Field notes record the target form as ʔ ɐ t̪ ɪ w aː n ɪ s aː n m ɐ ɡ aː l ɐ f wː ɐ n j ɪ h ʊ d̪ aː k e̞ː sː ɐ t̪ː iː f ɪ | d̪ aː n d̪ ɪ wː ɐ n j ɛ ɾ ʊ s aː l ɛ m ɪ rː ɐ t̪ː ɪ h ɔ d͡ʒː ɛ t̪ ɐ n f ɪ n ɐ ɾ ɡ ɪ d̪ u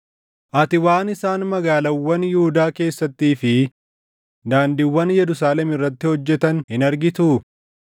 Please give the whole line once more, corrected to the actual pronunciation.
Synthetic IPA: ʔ ɐ t̪ ɪ w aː n ɪ s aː n m ɐ ɡ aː l ɐ wː ɐ n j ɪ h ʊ d̪ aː k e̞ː sː ɐ t̪ː iː f ɪ | d̪ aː n d̪ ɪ wː ɐ n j ɛ ɾ ʊ s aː l ɛ m ɪ rː ɐ t̪ː ɪ h ɔ d͡ʒː ɛ t̪ ɐ n h ɪ n ɐ ɾ ɡ ɪ t̪ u